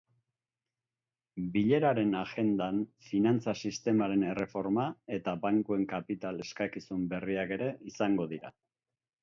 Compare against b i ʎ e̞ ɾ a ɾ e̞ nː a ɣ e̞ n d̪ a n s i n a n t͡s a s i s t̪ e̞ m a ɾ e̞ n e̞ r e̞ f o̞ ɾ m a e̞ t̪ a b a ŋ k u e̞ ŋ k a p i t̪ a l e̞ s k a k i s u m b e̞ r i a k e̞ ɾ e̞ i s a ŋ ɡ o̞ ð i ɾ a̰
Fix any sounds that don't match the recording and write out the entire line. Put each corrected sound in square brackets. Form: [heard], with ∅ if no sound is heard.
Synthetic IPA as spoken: b i ʎ e̞ ɾ a ɾ e̞ [n] a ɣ e̞ n d̪ a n [f] i n a n t͡s a s i s t̪ e̞ m a ɾ e̞ n e̞ r e̞ f o̞ ɾ m a e̞ t̪ a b a ŋ k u e̞ ŋ k a p i t̪ a l e̞ s k a k i s u m b e̞ r i a k e̞ ɾ e̞ i s a ŋ ɡ o̞ ð i ɾ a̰